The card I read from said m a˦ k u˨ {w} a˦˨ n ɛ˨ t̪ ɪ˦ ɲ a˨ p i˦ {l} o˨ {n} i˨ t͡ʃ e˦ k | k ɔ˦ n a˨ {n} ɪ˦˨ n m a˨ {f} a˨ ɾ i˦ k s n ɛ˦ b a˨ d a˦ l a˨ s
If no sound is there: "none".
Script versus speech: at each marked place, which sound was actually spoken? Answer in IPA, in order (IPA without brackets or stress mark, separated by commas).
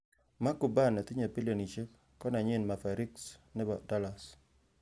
b, l, n, ɲ, f